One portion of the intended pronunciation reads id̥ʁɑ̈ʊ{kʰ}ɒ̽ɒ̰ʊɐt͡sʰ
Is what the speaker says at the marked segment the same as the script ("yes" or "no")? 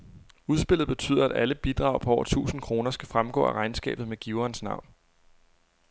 no